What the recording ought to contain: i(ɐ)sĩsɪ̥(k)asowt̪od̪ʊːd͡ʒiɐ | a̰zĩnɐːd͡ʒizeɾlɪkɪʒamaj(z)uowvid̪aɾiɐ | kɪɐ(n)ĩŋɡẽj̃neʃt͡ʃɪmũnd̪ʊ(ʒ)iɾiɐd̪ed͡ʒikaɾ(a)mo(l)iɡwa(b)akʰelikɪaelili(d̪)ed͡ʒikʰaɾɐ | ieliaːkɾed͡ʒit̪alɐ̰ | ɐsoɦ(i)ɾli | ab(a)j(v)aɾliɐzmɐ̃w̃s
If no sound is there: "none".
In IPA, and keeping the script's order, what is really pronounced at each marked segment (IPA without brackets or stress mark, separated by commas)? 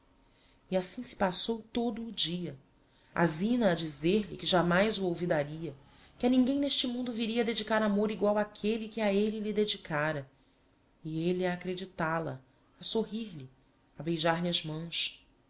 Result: a, p, z, n, v, a, ɾ, w, d̪, i, e, ʒ